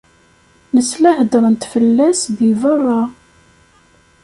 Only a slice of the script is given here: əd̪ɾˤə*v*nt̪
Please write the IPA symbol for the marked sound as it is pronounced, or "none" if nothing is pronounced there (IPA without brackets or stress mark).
none